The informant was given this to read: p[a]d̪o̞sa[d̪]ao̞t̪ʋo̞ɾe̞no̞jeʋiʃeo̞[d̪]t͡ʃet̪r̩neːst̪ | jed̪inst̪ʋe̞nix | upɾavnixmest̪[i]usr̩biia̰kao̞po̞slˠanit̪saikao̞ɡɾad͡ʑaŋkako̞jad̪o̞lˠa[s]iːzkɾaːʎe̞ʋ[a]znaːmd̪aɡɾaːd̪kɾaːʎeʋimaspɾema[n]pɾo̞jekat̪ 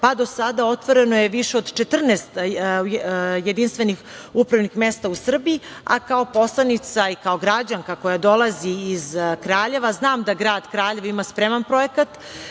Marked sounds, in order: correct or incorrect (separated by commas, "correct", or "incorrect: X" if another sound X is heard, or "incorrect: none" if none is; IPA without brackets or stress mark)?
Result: correct, correct, correct, incorrect: a, incorrect: z, correct, correct